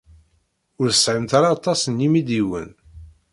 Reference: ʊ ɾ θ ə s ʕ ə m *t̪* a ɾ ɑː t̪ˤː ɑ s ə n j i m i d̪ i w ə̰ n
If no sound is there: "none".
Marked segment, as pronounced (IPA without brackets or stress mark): t̪